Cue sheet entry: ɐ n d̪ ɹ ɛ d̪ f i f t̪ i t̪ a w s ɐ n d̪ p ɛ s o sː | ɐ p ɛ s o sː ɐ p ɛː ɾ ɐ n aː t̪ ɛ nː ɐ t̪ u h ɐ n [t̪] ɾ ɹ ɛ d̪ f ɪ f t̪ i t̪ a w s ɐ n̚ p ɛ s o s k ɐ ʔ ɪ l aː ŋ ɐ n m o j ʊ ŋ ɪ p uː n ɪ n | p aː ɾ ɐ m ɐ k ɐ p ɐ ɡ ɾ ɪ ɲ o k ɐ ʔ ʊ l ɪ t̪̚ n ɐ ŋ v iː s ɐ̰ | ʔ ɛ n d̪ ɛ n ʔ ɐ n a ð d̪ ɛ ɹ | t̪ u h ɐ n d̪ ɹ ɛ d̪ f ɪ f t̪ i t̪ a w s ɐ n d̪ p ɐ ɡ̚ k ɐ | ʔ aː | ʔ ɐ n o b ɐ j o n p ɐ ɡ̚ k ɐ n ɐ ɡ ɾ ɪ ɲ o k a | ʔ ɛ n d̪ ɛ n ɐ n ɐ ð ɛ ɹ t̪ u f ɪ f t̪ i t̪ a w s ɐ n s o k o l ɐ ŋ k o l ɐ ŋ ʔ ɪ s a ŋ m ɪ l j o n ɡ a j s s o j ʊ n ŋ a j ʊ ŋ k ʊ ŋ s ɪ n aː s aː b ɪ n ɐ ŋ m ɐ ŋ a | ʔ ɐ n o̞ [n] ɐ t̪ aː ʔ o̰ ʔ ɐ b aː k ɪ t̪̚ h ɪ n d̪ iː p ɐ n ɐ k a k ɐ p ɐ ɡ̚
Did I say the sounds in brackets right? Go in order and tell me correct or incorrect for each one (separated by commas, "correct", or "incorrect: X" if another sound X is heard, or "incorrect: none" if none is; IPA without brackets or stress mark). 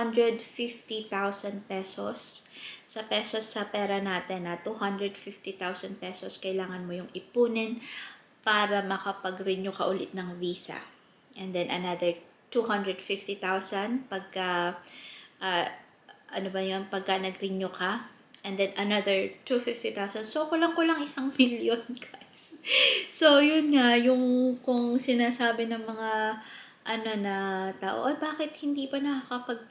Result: incorrect: d̪, correct